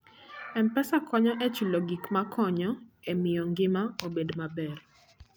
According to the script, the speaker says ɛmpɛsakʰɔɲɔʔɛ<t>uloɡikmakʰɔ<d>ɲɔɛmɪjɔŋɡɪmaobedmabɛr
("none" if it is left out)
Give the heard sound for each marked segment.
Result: t͡ʃ, none

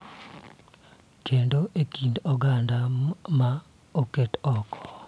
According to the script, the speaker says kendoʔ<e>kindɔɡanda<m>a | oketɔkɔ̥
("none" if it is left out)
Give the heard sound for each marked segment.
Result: e, m

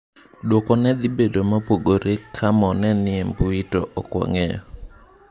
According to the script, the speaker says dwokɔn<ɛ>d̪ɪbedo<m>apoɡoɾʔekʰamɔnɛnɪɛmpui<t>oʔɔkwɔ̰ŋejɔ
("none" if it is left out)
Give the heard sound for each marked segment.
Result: ɛ, m, t

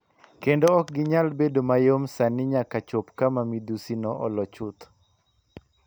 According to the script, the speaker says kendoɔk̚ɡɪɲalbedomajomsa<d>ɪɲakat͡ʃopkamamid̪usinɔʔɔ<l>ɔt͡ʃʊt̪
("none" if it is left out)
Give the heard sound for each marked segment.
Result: n, l

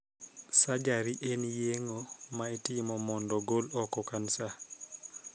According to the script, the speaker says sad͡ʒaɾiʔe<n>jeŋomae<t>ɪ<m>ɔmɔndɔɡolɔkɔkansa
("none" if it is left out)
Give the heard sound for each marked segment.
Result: n, t, m

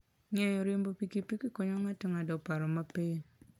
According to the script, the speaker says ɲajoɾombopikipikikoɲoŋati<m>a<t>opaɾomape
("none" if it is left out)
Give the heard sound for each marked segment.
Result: ŋ, d

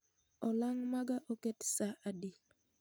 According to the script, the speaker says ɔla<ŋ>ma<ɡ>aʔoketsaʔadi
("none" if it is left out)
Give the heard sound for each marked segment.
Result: ŋ, ɡ

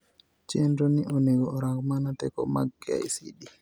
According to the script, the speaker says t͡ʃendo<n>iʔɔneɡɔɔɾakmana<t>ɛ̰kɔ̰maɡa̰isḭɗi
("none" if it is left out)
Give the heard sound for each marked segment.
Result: n, t

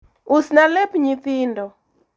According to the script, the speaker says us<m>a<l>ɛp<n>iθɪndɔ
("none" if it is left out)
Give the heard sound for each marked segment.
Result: n, l, ɲ

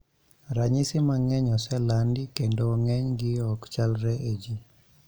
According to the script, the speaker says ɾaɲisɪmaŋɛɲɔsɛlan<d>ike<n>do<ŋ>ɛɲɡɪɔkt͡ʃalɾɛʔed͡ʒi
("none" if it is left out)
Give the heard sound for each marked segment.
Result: d, n, ŋ

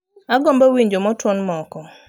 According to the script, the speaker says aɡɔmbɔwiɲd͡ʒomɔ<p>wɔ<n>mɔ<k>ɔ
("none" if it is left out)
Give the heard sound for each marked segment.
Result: t, n, k

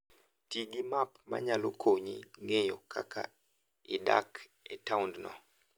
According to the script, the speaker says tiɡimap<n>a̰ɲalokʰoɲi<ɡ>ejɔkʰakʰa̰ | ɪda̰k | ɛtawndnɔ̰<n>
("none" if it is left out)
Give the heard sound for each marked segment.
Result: m, ŋ, none

